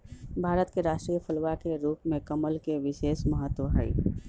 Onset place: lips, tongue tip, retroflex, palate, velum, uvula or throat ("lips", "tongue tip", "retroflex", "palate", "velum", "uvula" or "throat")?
lips